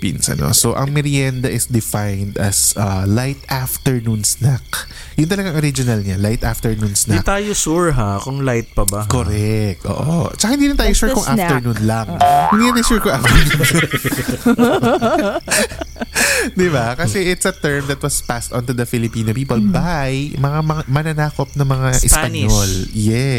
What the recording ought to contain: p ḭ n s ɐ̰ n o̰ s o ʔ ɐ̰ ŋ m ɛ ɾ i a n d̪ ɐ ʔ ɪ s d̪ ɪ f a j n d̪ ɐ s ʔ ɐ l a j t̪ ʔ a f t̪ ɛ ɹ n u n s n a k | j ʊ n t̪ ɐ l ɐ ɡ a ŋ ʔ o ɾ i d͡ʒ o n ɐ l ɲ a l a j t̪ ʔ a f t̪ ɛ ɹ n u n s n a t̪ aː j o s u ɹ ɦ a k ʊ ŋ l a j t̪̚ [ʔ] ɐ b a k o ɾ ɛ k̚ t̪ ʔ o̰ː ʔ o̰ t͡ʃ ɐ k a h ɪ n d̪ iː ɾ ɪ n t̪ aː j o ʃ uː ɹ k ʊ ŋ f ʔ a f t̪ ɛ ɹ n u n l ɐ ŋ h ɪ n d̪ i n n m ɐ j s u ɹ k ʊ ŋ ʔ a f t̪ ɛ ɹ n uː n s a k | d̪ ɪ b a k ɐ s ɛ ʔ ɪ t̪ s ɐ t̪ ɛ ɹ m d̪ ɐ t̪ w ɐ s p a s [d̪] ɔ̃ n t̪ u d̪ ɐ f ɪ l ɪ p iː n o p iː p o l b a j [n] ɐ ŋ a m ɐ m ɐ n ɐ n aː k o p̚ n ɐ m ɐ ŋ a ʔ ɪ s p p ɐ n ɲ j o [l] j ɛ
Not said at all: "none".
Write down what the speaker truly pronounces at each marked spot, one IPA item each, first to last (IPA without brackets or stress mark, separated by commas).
p, t̪, m, l